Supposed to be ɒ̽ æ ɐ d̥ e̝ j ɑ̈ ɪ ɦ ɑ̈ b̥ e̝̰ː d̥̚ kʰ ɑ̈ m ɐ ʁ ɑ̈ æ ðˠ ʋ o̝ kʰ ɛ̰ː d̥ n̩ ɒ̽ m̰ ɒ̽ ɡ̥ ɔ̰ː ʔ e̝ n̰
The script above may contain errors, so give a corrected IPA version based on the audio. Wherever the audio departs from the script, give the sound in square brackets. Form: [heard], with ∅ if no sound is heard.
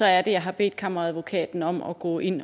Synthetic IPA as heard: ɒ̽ æ ɐ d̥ e̝ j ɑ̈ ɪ ɦ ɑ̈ b̥ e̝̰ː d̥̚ kʰ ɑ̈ m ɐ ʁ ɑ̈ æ ðˠ ʋ o̝ kʰ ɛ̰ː d̥ n̩ ɒ̽ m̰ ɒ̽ ɡ̥ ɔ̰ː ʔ e̝ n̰